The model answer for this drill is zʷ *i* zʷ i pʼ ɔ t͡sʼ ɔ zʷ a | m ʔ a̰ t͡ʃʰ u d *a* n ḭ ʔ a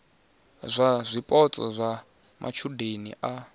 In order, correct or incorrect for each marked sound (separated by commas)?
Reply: incorrect, incorrect